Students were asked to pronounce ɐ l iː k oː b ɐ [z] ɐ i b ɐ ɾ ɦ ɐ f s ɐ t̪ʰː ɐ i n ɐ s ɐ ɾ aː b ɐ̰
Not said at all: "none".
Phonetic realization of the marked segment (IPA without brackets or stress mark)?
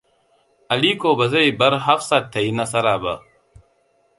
z